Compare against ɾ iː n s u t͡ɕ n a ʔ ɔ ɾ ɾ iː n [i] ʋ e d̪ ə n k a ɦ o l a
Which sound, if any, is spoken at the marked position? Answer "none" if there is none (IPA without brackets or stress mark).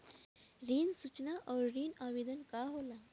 a